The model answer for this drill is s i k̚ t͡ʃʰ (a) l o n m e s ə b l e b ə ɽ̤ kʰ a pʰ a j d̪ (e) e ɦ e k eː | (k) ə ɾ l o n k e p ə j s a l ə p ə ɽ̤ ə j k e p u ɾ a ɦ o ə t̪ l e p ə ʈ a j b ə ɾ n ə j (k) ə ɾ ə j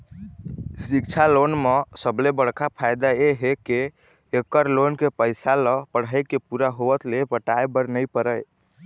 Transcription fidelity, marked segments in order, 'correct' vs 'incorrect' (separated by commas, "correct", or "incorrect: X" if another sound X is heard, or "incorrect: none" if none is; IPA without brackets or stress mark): correct, incorrect: a, correct, incorrect: p